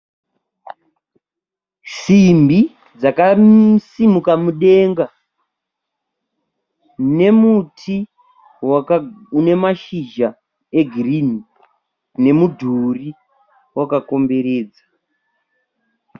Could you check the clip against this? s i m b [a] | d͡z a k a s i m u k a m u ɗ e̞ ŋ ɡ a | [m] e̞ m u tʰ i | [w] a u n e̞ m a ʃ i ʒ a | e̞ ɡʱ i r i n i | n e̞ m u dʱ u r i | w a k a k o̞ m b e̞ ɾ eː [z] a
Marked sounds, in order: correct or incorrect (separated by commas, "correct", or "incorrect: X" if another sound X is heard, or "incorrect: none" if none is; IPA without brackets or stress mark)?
incorrect: i, incorrect: n, correct, incorrect: d͡z